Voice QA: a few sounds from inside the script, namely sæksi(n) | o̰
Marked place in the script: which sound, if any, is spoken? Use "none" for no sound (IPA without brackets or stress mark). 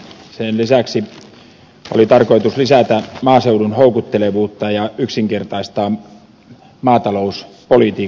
none